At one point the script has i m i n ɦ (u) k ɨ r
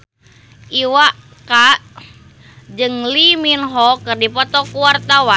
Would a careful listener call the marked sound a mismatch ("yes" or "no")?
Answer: yes